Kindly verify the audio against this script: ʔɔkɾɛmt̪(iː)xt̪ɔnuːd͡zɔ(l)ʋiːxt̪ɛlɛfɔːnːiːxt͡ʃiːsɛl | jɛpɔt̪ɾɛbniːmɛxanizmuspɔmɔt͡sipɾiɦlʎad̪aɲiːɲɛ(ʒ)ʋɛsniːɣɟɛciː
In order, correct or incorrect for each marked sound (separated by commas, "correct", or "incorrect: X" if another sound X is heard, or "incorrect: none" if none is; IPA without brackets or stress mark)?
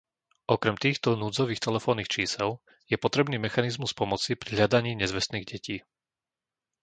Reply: correct, incorrect: none, incorrect: z